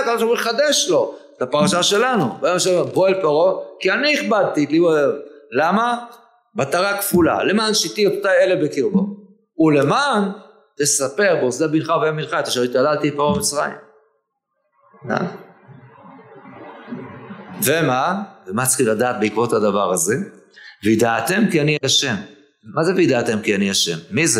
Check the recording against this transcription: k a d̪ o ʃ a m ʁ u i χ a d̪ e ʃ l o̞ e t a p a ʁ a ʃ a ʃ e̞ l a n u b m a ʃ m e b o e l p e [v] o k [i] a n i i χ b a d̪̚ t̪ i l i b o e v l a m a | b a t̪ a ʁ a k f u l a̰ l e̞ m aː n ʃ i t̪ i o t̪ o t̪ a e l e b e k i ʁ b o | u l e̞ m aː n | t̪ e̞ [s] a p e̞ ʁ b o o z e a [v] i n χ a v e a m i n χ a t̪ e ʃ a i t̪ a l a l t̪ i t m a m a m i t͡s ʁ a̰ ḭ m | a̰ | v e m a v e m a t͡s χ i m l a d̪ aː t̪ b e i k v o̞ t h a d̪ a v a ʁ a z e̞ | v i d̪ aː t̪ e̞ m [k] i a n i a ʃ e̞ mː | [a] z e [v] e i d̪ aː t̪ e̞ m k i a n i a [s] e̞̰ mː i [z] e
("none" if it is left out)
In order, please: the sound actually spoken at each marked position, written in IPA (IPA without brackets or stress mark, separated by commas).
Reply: ʁ, i, s, b, k, a, v, ʃ, z